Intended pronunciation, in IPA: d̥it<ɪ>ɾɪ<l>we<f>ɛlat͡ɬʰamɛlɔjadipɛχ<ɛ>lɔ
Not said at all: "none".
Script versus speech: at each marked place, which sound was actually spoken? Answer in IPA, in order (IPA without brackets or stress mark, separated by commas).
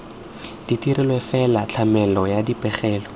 i, l, f, ɛː